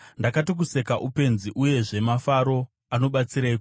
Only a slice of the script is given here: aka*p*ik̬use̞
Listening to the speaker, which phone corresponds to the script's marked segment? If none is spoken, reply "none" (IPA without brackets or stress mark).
t